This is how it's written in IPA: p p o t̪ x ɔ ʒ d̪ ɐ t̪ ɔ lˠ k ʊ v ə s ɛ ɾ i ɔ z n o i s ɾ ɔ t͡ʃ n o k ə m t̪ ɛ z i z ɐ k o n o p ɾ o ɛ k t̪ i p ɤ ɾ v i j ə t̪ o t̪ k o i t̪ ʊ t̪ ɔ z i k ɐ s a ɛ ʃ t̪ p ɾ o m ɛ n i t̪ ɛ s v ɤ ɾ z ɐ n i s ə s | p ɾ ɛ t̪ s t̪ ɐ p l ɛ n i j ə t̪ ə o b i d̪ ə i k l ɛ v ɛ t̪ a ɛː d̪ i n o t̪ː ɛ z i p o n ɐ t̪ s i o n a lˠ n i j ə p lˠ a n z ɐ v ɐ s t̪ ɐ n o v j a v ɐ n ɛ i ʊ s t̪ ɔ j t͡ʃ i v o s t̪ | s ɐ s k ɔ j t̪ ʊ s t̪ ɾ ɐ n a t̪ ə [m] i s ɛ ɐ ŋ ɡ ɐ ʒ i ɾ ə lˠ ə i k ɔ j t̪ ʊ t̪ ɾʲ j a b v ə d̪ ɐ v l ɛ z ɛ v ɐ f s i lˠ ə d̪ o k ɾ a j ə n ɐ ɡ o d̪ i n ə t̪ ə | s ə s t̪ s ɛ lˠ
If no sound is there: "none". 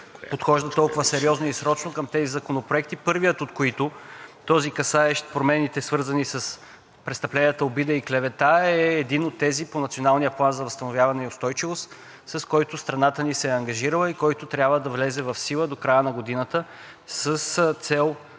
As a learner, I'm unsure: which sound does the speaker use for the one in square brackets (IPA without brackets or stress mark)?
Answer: n